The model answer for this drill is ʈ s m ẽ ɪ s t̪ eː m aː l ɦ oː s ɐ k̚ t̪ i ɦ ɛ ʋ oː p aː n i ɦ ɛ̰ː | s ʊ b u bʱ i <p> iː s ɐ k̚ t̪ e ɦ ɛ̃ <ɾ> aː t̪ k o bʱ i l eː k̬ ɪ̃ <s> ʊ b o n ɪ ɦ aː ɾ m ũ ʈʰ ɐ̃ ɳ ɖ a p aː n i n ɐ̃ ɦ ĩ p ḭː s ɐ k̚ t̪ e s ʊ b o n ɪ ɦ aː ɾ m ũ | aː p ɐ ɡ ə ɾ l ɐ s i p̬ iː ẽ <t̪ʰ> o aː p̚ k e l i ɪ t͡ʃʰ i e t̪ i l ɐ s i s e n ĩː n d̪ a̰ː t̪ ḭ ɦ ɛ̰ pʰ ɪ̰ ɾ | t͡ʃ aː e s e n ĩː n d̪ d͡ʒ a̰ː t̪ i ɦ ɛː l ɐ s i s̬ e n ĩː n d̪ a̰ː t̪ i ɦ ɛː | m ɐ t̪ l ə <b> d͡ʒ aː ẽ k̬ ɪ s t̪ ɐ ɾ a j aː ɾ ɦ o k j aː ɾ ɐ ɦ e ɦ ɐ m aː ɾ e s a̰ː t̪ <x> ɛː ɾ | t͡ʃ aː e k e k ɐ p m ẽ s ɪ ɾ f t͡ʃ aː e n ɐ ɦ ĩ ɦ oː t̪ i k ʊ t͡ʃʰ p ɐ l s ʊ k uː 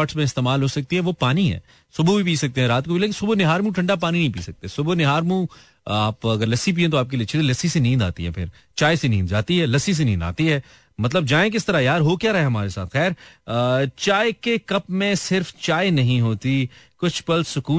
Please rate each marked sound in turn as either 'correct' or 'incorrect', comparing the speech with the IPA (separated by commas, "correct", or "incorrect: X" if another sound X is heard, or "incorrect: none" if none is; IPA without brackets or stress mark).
correct, correct, correct, incorrect: t̪, correct, correct